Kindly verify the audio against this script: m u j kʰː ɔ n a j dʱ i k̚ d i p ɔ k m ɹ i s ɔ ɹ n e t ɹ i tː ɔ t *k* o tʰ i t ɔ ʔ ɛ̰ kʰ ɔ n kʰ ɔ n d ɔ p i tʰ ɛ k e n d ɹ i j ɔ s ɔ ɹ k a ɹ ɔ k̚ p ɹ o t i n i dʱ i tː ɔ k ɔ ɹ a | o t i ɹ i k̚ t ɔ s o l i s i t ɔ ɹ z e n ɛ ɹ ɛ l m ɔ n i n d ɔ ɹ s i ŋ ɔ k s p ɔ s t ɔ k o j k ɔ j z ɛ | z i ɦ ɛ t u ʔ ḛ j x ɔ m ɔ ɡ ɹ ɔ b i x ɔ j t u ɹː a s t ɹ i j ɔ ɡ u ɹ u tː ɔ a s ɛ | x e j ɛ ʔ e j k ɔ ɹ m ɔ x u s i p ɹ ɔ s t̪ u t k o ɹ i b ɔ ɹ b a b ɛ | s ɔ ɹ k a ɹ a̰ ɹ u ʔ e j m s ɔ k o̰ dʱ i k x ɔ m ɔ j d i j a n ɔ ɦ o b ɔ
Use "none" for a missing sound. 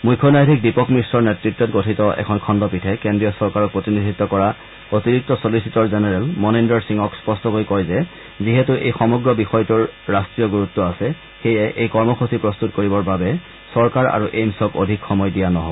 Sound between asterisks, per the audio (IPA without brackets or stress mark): ɡ